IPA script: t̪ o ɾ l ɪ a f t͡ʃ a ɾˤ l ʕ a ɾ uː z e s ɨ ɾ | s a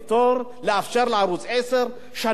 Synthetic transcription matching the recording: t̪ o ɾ l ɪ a f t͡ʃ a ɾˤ l ʕ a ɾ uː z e s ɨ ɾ | ʃ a